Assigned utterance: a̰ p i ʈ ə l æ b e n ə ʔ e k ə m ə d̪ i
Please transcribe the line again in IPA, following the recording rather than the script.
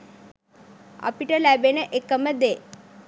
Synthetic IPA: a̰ p i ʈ ə l æ b e n ə ʔ e k ə m ə d̪ e